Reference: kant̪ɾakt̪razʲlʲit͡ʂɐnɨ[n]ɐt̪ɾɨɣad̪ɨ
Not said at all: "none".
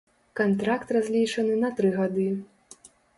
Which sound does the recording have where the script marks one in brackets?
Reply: n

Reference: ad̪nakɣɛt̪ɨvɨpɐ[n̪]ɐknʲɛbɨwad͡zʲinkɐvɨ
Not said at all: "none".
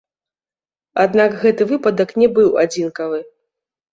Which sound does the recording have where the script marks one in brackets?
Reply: d̪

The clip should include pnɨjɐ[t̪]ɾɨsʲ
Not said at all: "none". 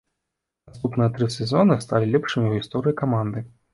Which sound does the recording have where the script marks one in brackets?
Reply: t̪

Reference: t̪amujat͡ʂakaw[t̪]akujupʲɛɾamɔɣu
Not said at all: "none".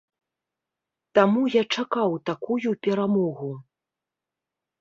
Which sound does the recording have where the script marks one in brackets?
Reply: t̪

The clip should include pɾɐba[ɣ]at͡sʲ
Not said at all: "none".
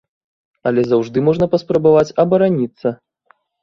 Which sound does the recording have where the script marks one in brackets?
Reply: v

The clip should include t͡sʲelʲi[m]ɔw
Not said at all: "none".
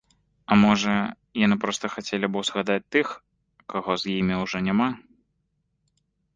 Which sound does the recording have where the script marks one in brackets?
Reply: b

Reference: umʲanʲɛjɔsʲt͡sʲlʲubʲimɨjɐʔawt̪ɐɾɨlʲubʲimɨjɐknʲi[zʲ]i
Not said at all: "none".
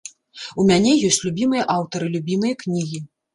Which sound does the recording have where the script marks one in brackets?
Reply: ɣʲ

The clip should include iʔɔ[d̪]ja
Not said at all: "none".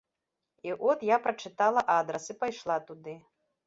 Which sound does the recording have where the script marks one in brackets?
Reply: t̪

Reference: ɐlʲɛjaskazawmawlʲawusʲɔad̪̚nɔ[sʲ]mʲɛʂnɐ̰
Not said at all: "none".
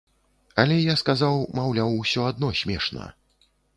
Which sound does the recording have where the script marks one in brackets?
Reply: sʲ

